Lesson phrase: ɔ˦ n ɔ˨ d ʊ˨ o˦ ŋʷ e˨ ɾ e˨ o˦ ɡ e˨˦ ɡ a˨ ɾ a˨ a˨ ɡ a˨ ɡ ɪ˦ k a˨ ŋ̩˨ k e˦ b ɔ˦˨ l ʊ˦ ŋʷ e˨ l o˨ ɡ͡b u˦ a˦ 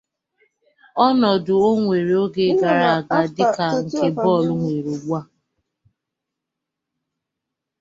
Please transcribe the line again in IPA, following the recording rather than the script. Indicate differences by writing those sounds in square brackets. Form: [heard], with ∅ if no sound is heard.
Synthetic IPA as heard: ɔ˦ n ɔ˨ d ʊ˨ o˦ ŋʷ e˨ ɾ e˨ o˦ ɡ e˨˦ ɡ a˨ ɾ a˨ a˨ ɡ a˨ [d] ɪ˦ k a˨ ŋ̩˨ k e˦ b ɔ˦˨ l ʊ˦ ŋʷ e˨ [ɾ] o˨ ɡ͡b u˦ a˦